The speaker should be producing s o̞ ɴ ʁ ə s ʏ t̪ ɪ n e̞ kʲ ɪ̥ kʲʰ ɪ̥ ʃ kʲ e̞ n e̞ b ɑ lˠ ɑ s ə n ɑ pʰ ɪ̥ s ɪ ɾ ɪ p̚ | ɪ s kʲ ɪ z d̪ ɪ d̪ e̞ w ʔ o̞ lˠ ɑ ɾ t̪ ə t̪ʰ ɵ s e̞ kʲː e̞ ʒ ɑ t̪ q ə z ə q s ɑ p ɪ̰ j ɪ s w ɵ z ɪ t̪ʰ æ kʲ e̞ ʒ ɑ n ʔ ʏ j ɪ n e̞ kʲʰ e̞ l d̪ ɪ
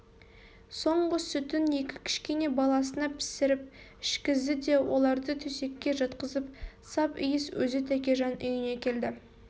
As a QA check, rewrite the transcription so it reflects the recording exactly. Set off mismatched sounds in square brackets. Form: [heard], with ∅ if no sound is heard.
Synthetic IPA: s o̞ ɴ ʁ ə s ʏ t̪ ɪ n e̞ kʲ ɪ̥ kʲʰ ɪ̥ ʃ kʲ e̞ n e̞ b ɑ lˠ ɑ s ə n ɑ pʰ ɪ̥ s ɪ ɾ ɪ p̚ | ɪ [ʃ] kʲ ɪ z d̪ ɪ d̪ e̞ w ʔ o̞ lˠ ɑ ɾ [d̪] ə t̪ʰ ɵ s e̞ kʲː e̞ ʒ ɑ t̪ q ə z ə [p] s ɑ p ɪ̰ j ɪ s w ɵ z ɪ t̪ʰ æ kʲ e̞ ʒ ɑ n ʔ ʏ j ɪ n e̞ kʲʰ e̞ l d̪ ɪ